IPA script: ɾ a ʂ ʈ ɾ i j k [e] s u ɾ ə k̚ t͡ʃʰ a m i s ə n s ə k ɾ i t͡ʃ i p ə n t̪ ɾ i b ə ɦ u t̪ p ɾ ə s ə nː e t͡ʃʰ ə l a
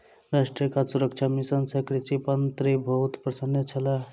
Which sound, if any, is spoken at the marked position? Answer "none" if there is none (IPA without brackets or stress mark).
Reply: a